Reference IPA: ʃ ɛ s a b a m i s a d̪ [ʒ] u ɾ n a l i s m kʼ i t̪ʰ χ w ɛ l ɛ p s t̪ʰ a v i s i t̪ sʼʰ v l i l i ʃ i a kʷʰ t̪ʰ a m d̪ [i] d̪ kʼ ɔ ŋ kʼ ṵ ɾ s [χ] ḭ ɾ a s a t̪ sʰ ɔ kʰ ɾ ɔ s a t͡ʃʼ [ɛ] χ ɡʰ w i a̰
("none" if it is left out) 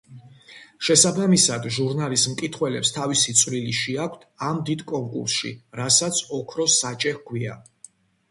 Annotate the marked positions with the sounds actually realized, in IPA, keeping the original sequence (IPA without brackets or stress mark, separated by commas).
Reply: ʒ, i, ʃ, ɛ